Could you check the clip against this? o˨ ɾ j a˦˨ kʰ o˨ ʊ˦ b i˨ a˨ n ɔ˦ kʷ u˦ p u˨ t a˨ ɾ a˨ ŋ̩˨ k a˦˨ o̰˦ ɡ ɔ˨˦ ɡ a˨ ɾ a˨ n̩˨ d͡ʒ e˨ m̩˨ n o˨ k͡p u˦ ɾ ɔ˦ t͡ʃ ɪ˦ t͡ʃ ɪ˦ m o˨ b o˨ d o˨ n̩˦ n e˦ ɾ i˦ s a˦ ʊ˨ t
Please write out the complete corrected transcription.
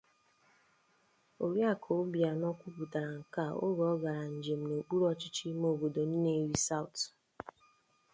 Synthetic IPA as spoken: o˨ ɾ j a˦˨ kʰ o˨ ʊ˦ b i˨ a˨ n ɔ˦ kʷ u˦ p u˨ t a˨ ɾ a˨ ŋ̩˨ k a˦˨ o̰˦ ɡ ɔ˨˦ ɡ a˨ ɾ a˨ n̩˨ d͡ʒ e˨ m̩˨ n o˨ k͡p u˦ ɾ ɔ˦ t͡ʃ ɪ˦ t͡ʃ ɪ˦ m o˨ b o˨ d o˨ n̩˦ n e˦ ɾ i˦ s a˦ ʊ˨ t